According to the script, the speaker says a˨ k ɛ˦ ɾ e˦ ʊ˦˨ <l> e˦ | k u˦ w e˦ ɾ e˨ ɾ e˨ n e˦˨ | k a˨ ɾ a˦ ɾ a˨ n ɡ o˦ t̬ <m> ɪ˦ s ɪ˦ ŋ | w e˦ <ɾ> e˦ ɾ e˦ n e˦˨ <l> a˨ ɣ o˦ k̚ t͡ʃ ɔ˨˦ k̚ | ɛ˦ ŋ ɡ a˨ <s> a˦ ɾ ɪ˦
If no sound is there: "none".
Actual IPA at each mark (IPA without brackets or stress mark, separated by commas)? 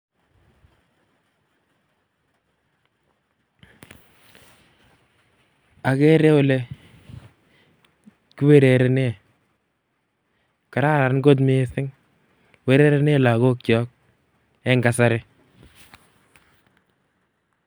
l, m, ɾ, l, s